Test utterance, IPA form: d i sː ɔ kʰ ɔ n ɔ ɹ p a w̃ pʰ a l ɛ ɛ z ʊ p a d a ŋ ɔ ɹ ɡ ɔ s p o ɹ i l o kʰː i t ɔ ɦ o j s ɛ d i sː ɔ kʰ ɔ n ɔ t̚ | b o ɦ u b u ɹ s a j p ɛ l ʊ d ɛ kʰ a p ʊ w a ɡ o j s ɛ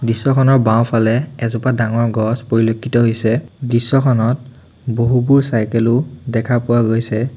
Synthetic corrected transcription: d i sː ɔ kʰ ɔ n ɔ ɹ b a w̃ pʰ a l ɛ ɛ z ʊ p a d a ŋ ɔ ɹ ɡ ɔ s p o ɹ i l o kʰː i t ɔ ɦ o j s ɛ d i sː ɔ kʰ ɔ n ɔ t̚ | b o ɦ u b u ɹ s a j k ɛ l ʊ d ɛ kʰ a p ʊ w a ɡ o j s ɛ